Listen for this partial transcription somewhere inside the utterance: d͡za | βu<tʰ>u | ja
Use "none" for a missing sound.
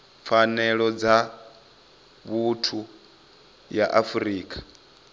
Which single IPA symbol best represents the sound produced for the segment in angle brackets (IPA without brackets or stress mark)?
tʰ